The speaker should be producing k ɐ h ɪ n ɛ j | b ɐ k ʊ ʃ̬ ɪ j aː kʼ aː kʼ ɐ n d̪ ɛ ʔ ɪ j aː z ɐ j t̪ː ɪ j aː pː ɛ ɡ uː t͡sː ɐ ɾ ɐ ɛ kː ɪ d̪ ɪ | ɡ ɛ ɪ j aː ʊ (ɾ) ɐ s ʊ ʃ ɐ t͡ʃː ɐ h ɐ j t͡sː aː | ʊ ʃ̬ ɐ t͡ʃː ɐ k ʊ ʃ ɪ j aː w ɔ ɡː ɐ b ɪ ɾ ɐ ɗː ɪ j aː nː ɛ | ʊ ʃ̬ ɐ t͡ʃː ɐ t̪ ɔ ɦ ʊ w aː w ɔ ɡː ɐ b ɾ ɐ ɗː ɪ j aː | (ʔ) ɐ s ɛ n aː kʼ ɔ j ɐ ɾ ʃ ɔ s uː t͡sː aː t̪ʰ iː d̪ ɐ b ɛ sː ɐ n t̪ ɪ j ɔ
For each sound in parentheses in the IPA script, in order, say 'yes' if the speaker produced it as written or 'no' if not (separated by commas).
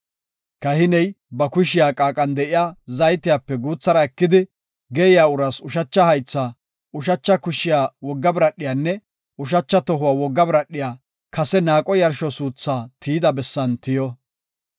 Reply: yes, no